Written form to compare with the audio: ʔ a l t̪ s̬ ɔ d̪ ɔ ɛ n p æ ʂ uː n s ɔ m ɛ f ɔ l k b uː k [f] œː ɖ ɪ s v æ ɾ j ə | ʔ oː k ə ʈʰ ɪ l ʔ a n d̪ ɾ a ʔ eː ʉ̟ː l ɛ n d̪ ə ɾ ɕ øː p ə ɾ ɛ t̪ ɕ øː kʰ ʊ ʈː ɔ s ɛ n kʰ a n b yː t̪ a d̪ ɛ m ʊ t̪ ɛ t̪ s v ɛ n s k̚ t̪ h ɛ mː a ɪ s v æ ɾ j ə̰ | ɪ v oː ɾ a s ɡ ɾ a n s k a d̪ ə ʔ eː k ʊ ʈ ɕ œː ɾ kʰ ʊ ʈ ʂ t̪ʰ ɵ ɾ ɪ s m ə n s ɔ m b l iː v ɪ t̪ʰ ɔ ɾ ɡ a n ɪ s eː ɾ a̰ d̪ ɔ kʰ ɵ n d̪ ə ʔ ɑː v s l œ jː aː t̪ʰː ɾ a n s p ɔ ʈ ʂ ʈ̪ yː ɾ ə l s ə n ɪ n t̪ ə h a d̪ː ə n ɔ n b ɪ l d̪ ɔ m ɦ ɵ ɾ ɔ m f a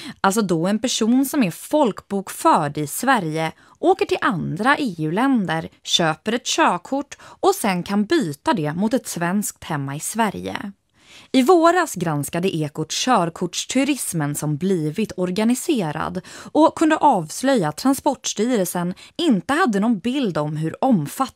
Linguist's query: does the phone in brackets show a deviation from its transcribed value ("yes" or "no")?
no